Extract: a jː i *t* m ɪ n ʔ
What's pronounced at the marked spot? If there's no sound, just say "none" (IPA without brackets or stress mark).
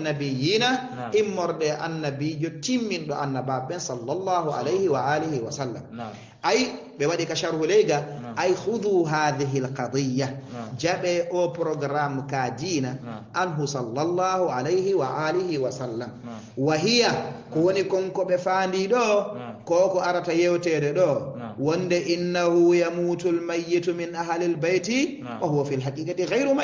t